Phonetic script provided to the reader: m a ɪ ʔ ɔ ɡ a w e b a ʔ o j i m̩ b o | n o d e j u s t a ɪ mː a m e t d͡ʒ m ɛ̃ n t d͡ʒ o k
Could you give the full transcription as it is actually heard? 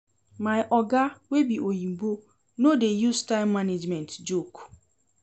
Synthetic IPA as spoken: m a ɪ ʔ ɔ ɡ a w e b i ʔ o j i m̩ b o | n o d e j u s t a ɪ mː a n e d͡ʒ m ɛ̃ n t d͡ʒ o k

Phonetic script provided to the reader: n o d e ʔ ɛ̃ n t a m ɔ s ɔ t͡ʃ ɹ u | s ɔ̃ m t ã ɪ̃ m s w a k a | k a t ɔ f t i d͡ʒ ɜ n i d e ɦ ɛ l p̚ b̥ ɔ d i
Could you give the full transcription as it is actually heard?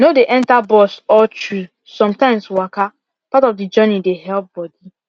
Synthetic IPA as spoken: n o d e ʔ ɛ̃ n t a b ɔ s ɔ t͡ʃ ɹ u | s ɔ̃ m t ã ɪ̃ m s w a k a | p a t ɔ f d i d͡ʒ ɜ n i d e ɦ ɛ l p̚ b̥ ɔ d i

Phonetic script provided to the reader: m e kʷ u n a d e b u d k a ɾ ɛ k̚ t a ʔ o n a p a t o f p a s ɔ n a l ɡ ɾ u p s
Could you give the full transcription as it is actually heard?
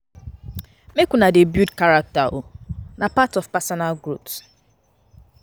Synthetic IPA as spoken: m e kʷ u n a d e b u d k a ɾ a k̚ t a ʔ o n a p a t ɔ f p a s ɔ n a l ɡ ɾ u p s

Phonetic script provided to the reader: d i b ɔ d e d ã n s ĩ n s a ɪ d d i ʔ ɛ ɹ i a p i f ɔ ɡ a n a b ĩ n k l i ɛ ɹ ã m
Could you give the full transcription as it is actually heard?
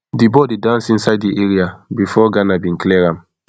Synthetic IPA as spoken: d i b ɔ d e d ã n s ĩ n s a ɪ d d i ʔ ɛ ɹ i a b i f ɔ ɡ a n a b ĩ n k l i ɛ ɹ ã m

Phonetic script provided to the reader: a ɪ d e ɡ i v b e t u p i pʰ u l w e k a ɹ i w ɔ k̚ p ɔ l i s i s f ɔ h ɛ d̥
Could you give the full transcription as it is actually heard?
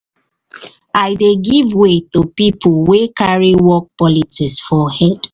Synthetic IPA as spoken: a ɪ d e ɡ i v w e t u p i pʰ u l w e k a ɹ i w ɔ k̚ p ɔ l i t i s f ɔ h ɛ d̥

